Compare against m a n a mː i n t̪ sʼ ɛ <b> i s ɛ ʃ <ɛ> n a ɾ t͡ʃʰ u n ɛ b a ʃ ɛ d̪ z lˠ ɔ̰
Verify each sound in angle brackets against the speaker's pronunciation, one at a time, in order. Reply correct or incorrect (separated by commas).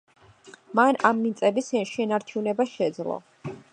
correct, correct